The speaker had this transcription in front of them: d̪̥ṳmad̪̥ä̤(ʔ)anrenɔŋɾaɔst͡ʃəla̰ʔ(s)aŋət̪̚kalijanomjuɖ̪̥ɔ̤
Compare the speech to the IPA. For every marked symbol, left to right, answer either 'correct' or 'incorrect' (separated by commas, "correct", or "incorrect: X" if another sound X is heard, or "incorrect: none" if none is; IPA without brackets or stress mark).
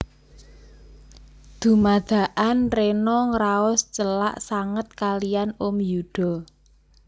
correct, correct